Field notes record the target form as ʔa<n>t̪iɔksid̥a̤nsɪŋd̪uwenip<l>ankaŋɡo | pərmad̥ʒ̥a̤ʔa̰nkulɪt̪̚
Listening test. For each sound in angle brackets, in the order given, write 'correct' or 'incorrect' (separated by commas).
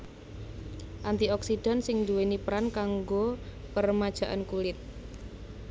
correct, incorrect